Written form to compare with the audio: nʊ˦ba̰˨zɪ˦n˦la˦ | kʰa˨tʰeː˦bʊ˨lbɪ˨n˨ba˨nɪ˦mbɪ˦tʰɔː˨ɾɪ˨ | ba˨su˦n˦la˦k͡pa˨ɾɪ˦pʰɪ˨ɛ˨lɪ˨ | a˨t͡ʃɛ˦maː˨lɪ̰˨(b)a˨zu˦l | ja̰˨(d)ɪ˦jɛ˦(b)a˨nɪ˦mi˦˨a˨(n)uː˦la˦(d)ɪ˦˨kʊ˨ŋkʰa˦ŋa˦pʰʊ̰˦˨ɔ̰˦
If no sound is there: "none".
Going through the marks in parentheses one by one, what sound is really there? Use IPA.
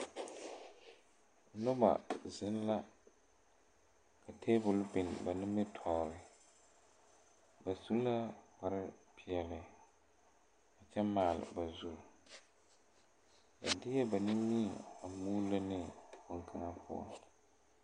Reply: b, d, b, m, n

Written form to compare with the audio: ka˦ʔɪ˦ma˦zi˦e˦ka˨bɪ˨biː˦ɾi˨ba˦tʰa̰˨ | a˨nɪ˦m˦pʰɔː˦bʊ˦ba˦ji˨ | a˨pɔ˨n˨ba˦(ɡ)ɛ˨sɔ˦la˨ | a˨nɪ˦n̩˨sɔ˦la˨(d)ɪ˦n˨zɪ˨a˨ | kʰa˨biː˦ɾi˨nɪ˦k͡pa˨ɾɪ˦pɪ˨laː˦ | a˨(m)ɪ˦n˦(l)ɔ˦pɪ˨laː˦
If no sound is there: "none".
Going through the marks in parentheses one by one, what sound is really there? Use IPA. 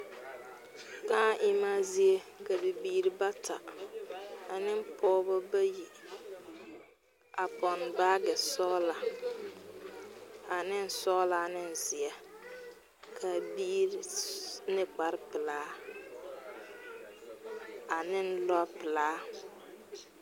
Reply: ɡ, n, n, l

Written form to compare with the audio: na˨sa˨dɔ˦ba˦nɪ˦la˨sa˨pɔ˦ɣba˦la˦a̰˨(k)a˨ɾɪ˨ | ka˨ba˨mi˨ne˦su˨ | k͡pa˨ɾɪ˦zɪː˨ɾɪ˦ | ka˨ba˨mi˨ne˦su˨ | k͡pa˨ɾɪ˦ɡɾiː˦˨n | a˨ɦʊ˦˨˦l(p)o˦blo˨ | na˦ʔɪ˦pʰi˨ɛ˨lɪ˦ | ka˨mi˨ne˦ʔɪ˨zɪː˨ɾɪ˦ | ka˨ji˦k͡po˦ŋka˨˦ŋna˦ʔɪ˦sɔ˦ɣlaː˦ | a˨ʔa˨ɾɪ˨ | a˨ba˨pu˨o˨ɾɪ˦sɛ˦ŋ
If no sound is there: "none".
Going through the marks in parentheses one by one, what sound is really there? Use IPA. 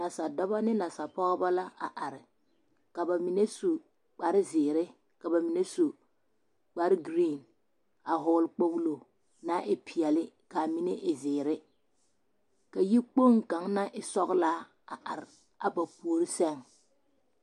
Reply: ʔ, k͡p

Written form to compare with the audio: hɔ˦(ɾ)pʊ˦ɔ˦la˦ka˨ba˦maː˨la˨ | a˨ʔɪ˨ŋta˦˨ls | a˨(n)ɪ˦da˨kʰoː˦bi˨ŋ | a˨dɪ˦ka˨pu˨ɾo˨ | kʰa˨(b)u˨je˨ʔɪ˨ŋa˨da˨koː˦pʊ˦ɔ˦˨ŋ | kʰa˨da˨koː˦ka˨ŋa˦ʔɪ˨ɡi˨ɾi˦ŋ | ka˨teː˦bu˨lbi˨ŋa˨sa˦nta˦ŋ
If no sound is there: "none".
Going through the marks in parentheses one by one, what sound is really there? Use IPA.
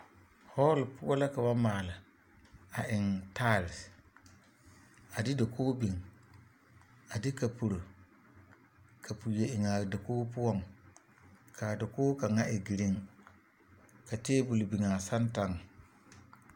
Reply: l, d, p

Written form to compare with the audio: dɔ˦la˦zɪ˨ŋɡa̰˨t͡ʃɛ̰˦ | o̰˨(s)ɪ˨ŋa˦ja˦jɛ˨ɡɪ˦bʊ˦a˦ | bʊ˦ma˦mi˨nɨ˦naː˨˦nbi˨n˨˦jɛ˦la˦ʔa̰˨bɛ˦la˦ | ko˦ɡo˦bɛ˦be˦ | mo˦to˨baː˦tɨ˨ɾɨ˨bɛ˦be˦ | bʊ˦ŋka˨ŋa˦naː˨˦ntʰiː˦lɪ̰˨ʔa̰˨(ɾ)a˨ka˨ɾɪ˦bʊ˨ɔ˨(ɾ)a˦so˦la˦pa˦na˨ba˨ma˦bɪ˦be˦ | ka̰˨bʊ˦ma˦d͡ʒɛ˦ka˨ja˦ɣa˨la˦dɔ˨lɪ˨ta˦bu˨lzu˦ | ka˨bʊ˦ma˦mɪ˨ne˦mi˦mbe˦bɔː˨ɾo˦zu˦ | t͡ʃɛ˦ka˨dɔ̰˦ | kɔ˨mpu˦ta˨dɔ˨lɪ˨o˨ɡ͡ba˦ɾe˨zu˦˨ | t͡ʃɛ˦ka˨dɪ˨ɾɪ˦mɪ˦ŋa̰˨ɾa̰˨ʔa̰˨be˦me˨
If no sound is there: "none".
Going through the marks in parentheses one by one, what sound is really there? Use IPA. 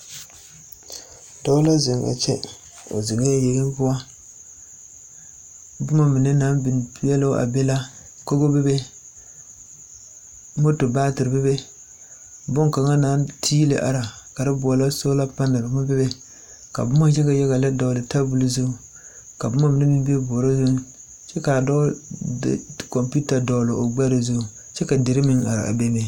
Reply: z, ɾ, l

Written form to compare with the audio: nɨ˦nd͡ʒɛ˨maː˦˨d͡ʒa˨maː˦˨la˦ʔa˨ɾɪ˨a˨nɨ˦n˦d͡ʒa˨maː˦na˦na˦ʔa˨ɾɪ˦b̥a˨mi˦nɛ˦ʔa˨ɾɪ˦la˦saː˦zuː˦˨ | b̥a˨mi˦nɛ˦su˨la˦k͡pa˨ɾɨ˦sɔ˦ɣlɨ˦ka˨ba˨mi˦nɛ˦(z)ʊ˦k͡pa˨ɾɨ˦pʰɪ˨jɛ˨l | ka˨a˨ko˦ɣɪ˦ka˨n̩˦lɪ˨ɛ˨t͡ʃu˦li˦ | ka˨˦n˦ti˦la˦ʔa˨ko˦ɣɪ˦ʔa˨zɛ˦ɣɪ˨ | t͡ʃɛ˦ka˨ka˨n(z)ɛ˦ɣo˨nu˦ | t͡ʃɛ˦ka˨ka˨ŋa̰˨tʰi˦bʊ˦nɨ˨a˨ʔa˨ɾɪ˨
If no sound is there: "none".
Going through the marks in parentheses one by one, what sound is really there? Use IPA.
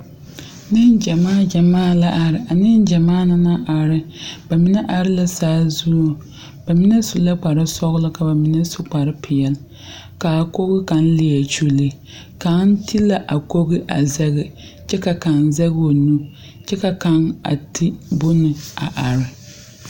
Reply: s, z

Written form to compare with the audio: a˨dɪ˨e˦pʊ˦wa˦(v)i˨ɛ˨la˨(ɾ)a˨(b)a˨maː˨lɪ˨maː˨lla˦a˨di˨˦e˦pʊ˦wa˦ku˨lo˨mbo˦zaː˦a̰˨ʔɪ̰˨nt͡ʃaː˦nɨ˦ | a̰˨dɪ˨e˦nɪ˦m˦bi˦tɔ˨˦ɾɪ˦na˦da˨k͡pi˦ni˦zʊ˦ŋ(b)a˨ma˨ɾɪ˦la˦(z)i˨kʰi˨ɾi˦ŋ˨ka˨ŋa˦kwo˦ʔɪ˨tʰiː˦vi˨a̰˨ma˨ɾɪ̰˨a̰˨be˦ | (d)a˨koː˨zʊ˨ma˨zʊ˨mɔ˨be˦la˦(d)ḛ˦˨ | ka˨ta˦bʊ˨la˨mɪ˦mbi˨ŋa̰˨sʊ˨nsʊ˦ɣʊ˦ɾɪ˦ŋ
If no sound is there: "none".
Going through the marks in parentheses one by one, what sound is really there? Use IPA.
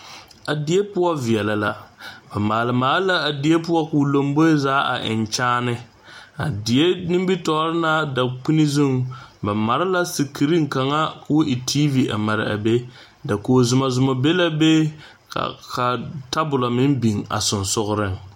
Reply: v, l, b, b, s, d, b

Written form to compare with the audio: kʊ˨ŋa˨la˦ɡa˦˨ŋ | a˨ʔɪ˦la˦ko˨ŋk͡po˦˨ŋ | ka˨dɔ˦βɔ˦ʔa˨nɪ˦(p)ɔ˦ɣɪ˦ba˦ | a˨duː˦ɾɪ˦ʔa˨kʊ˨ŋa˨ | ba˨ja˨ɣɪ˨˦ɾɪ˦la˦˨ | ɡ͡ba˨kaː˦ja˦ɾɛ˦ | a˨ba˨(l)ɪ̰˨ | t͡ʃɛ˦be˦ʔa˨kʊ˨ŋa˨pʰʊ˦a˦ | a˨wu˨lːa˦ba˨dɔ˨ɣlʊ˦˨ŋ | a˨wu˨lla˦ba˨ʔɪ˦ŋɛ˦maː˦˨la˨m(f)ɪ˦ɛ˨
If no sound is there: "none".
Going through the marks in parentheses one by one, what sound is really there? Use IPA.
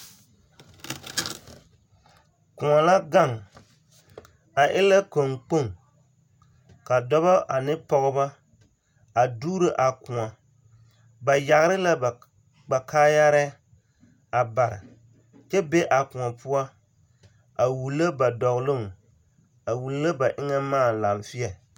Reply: p, ɾ, f

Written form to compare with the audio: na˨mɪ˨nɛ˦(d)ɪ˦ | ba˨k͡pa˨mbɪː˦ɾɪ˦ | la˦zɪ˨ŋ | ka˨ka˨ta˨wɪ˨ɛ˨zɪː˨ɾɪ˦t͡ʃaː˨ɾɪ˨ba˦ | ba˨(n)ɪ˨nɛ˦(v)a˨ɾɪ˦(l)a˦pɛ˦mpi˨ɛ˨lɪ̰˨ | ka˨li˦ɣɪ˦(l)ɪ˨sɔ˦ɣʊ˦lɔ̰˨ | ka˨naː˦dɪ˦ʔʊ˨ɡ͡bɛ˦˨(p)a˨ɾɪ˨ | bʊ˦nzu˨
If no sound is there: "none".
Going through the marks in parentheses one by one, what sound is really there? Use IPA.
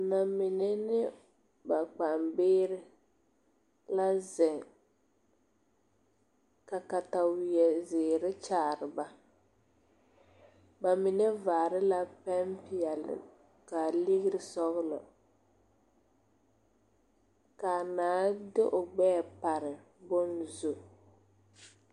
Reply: n, m, v, l, ɾ, p

